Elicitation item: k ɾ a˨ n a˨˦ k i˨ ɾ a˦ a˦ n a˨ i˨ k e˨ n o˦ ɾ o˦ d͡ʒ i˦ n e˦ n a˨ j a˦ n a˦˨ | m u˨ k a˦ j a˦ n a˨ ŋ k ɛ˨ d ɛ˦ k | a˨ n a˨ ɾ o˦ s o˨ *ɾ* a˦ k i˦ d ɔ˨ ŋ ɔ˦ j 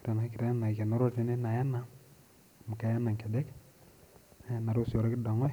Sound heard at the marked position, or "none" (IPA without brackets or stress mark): ɾ